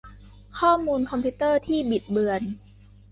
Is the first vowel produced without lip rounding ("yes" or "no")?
no